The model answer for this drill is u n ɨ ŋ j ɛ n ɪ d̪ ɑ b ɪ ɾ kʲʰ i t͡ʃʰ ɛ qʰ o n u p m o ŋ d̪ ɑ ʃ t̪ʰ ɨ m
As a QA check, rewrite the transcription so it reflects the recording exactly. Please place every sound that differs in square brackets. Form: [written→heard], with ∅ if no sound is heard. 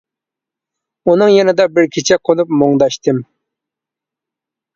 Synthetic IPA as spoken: u n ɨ ŋ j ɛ n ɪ d̪ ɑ b ɪ ɾ kʲʰ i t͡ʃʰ ɛ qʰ o n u p m o ŋ d̪ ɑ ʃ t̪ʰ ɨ m